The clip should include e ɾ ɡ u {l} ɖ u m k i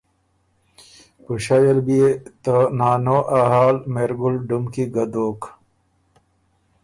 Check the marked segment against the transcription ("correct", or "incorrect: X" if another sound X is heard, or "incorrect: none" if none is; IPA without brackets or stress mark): correct